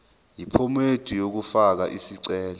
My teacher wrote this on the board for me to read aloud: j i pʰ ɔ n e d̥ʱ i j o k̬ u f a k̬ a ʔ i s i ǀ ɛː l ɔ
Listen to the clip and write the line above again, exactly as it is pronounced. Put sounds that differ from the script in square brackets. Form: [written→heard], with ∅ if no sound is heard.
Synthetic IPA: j i pʰ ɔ [n→m] e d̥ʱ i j o k̬ u f a k̬ a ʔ i s i ǀ ɛː l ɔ